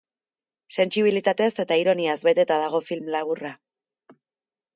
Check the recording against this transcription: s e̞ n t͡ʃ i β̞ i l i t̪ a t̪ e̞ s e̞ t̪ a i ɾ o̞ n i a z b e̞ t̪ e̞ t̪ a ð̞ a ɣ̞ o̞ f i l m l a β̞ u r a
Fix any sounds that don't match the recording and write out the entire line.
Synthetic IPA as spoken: s e̞ n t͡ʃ i β̞ i l i t̪ a t̪ e̞ s e̞ t̪ a i ɾ o̞ n i a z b e̞ t̪ e̞ t̪ a ð̞ a ɣ̞ o̞ f i l m l a β̞ u r a